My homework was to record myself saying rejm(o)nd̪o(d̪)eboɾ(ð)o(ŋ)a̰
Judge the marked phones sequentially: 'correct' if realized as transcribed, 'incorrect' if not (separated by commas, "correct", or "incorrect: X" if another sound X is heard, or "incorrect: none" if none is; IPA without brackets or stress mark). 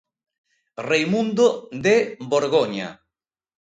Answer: incorrect: u, correct, incorrect: ɣ, incorrect: ɲ